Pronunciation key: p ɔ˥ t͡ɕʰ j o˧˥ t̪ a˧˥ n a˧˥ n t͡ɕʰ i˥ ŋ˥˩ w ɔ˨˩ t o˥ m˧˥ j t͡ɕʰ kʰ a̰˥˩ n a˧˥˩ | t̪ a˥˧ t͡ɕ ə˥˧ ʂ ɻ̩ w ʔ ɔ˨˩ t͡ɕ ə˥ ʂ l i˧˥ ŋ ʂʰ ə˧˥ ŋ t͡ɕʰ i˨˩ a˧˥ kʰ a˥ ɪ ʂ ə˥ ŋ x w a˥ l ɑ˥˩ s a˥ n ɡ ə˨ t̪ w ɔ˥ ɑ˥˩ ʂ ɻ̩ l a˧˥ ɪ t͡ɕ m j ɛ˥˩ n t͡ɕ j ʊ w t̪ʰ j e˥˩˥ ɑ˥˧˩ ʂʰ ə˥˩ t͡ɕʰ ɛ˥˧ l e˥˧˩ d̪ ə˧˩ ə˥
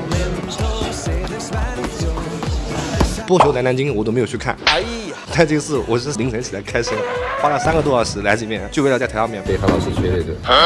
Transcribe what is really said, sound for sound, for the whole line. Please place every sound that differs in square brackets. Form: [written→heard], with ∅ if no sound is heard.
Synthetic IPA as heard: p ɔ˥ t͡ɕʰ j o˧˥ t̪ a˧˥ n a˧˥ n [t͡ɕʰ→t͡ɕ] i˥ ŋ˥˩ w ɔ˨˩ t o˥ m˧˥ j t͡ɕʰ kʰ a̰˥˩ n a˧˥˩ | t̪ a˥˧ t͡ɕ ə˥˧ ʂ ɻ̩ w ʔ ɔ˨˩ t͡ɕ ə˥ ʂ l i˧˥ ŋ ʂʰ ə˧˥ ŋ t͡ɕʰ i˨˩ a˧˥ kʰ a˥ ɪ ʂ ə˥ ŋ x w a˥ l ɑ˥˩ s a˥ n ɡ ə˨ t̪ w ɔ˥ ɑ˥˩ ʂ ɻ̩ l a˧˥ ɪ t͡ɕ m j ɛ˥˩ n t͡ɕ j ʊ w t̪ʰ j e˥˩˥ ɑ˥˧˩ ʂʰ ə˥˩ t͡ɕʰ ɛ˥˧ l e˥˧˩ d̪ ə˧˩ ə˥